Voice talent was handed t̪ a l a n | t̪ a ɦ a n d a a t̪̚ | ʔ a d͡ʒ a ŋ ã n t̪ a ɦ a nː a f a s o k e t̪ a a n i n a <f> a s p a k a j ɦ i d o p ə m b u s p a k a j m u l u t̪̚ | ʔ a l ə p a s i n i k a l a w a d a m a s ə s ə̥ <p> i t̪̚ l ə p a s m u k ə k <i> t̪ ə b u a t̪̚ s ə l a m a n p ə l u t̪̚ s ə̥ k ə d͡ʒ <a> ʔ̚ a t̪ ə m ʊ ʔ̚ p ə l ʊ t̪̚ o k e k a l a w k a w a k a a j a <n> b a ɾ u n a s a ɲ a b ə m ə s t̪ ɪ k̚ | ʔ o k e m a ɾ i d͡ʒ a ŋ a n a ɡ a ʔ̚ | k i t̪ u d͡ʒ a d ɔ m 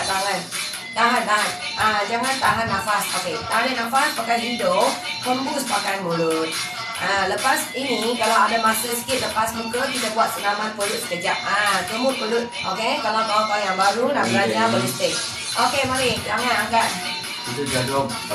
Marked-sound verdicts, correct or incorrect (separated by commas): correct, incorrect, correct, correct, incorrect